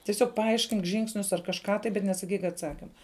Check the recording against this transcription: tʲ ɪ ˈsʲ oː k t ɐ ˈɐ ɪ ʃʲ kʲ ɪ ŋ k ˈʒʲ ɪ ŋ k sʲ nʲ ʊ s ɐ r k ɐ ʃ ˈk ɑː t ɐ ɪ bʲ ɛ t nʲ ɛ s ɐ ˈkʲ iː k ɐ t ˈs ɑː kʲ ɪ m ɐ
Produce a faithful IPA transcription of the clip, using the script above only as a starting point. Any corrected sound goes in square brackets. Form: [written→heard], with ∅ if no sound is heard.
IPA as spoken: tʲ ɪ ˈsʲ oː k [t→p] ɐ ˈɐ ɪ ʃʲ kʲ ɪ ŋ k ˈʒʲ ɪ ŋ k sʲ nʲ ʊ s ɐ r k ɐ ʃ ˈk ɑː t ɐ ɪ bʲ ɛ t nʲ ɛ s ɐ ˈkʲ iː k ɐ t ˈs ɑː kʲ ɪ m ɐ